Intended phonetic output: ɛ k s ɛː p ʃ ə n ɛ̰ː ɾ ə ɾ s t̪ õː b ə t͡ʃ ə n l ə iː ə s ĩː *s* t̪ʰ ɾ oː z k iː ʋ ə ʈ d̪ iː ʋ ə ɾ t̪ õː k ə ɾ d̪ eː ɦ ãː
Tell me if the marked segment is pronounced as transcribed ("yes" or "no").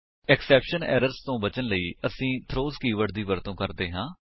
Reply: no